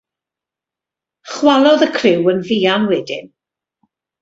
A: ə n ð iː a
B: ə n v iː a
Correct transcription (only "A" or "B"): B